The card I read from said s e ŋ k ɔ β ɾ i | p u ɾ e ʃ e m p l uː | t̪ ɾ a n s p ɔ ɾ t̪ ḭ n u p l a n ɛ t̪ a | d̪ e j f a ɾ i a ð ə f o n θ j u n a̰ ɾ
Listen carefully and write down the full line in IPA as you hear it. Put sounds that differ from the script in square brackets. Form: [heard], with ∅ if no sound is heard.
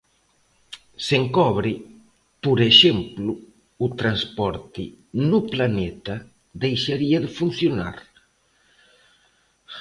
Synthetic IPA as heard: s e ŋ k ɔ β ɾ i | p u ɾ e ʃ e m p l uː | t̪ ɾ a n s p ɔ ɾ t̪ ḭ n u p l a n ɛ t̪ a | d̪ e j [ʃ] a ɾ i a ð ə f [u] n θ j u n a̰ ɾ